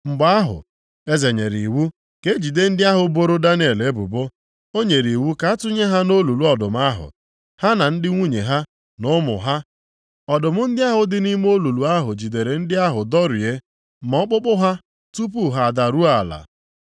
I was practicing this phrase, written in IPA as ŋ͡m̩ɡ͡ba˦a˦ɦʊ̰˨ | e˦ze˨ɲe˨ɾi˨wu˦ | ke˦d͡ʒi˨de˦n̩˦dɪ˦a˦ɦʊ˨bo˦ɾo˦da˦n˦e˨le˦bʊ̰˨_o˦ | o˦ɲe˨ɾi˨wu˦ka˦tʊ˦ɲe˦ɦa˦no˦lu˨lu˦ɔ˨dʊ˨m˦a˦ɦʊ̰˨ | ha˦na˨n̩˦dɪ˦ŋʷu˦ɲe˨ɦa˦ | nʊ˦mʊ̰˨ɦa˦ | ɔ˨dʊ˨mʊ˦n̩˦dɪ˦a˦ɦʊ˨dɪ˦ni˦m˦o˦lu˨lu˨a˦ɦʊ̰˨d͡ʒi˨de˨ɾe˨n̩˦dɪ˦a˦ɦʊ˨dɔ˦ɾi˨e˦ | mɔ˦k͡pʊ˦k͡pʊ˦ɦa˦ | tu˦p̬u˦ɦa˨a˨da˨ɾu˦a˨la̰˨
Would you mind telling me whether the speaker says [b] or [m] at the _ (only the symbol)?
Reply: b